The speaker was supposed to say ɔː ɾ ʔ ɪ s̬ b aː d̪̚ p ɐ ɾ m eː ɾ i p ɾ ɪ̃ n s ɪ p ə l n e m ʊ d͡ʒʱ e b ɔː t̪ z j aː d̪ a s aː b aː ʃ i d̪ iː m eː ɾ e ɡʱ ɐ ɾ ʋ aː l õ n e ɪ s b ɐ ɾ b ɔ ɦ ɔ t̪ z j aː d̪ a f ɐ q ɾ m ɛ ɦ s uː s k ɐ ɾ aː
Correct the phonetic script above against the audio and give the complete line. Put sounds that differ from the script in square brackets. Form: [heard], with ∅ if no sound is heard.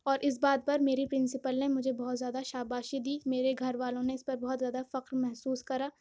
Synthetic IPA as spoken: ɔː ɾ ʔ ɪ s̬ b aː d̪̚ p ɐ ɾ m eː ɾ i p ɾ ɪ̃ n s ɪ p ə l n e m ʊ d͡ʒʱ e b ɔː t̪ z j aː d̪ a [ʃ] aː b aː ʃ i d̪ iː m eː ɾ e ɡʱ ɐ ɾ ʋ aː l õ n e ɪ s [p] ɐ ɾ b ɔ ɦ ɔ t̪ z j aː d̪ a f ɐ q ɾ m ɛ ɦ s uː s k ɐ ɾ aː